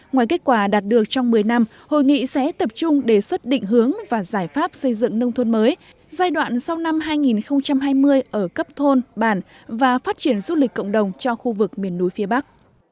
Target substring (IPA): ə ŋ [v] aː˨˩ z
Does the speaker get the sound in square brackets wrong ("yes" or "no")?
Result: no